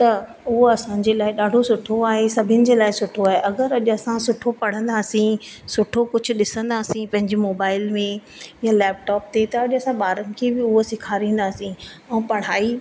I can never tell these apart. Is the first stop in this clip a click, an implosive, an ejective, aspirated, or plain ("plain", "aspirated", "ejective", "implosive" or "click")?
plain